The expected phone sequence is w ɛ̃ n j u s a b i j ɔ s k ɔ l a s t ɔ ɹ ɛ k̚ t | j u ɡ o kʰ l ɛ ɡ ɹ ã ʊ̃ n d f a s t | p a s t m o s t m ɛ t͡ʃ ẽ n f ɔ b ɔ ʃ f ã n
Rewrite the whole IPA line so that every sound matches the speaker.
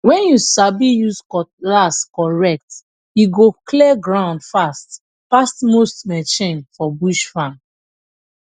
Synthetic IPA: w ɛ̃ n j u s a b i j u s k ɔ l a s k ɔ ɹ ɛ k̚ t | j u ɡ o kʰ l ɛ ɡ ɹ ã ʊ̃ n d f a s t | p a s t m o s t m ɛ t͡ʃ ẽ n f ɔ b u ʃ f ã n